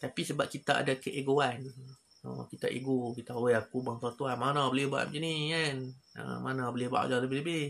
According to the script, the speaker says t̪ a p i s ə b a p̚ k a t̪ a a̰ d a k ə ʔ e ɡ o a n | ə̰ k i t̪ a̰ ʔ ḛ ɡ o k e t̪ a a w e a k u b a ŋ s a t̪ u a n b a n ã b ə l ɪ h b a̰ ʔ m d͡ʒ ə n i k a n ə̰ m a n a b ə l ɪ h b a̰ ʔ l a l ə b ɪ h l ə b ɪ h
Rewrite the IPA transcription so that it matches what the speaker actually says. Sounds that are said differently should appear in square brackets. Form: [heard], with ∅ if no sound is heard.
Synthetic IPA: t̪ a p i s ə b a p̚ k [i] t̪ a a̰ d a k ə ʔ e ɡ o a n | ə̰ k i t̪ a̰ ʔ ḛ ɡ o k [i] t̪ a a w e a k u b a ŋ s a t̪ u a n [m] a n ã b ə l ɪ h b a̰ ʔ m d͡ʒ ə n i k a n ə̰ m a n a b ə l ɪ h b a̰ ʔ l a l ə b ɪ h l ə b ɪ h